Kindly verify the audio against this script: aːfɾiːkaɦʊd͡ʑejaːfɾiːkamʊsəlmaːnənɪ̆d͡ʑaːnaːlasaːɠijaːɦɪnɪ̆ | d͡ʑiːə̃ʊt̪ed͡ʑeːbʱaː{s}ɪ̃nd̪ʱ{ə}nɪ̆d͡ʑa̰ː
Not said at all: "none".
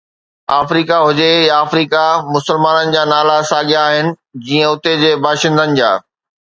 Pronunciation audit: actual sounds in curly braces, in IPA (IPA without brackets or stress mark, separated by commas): ʃ, ə